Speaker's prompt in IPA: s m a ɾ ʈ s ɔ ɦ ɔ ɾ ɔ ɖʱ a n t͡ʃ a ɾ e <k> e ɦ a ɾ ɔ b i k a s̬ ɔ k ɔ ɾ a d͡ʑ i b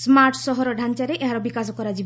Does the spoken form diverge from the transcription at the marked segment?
yes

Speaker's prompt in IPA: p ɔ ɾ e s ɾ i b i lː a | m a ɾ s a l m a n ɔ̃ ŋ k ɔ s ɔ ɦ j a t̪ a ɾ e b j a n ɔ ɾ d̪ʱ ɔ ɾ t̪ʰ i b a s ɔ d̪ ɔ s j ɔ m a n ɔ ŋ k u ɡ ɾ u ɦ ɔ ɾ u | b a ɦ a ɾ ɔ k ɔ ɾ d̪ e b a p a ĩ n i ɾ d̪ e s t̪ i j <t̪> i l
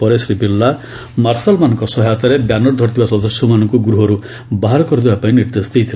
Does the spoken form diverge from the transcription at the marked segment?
yes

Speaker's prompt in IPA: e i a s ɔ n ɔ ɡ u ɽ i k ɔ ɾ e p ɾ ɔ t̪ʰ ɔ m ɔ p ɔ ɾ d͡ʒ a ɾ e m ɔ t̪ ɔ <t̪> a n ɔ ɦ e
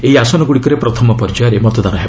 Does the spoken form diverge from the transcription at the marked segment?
yes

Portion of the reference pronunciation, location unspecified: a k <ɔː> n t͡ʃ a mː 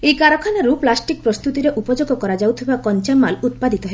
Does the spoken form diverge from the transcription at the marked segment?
yes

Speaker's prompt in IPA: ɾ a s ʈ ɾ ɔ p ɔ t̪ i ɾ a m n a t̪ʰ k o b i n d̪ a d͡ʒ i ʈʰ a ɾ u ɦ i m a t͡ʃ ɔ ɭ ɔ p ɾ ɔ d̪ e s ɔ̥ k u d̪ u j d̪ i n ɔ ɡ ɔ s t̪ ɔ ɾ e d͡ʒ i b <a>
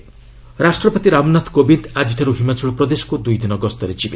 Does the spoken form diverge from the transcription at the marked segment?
yes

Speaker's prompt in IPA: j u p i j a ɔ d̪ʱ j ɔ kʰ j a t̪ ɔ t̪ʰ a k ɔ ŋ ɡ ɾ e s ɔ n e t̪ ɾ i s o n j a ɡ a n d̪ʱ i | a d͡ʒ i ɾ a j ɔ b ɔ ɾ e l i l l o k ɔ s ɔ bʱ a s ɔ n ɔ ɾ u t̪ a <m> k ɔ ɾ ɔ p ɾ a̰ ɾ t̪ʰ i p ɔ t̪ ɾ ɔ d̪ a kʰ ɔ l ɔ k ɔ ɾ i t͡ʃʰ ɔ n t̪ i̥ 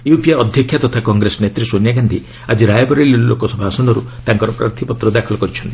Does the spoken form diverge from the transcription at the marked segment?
yes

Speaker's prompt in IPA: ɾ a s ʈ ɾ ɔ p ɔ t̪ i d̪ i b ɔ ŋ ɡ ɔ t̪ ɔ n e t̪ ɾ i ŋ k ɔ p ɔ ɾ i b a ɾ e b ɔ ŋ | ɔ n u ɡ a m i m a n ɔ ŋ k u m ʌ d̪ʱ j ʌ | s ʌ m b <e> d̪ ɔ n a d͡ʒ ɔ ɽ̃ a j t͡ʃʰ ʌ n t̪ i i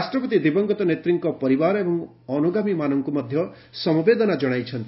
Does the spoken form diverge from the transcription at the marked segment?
no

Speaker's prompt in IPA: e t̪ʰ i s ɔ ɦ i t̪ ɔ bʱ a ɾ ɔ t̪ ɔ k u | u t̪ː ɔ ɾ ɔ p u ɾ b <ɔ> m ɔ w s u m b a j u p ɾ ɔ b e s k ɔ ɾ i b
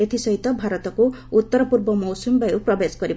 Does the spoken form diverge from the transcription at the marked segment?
no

